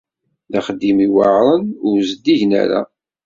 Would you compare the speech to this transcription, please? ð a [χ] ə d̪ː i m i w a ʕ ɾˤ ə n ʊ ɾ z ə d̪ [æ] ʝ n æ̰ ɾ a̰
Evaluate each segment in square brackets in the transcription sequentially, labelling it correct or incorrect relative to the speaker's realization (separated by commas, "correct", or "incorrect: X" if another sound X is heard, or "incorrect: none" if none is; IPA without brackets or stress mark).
correct, incorrect: i